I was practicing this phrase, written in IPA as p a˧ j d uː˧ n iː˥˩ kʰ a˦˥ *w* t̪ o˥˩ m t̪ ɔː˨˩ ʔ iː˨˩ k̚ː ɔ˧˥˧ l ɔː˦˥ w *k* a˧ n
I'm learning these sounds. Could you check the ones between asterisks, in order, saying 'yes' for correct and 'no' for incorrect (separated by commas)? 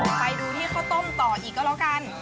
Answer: yes, yes